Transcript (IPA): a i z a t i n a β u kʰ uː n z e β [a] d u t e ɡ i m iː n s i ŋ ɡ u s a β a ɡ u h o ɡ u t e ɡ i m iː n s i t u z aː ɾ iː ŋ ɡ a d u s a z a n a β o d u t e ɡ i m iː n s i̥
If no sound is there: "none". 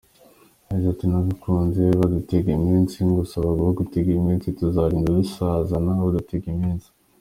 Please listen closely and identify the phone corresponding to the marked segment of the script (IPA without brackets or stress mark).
a